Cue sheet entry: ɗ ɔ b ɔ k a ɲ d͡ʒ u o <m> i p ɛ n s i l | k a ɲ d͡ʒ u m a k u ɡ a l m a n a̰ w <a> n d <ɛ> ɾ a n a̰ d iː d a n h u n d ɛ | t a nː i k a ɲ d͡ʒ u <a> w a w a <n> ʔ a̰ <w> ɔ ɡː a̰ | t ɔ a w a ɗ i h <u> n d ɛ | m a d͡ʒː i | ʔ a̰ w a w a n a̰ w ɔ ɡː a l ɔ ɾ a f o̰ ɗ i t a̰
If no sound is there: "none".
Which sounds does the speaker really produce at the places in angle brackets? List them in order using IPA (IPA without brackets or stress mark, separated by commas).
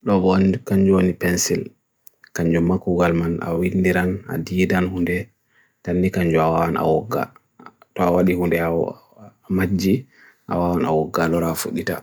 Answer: n, i, i, a, n, w, u